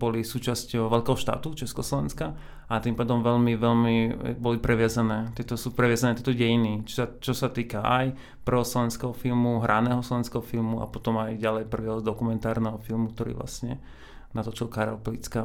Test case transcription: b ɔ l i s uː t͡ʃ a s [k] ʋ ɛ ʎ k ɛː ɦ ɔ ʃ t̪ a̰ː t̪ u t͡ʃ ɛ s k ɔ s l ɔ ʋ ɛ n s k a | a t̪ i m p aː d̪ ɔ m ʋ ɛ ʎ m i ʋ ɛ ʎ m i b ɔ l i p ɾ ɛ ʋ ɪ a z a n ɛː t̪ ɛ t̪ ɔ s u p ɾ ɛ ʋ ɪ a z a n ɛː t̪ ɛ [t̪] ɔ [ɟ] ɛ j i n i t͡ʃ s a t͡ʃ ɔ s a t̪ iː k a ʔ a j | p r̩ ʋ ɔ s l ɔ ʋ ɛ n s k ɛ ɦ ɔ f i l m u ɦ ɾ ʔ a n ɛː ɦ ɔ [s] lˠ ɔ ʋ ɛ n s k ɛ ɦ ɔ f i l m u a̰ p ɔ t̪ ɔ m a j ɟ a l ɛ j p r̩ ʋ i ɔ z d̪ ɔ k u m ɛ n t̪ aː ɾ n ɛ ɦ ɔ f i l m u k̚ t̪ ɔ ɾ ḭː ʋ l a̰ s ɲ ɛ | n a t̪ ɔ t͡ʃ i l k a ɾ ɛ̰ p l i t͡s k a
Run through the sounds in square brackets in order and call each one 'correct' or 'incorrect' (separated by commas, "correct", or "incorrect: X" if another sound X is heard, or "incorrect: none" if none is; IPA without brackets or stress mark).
incorrect: c, correct, correct, correct